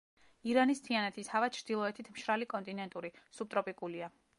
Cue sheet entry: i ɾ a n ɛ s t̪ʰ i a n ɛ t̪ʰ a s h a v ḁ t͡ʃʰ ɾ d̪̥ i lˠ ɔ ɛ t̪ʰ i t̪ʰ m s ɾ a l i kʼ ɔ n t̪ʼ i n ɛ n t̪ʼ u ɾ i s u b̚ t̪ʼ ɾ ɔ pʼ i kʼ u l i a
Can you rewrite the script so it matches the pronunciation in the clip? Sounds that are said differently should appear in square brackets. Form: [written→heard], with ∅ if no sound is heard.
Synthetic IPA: i ɾ a n [ɛ→i] s t̪ʰ i a n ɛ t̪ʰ [a→i] s h a v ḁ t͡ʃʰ ɾ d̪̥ i lˠ ɔ ɛ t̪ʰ i t̪ʰ m [s→ʃ] ɾ a l i kʼ ɔ n t̪ʼ i n ɛ n t̪ʼ u ɾ i s u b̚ t̪ʼ ɾ ɔ pʼ i kʼ u l i a